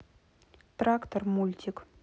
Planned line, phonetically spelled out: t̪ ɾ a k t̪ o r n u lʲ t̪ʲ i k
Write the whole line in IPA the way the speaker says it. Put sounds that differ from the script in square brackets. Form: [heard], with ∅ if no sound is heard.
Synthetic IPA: t̪ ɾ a k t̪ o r [m] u lʲ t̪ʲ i k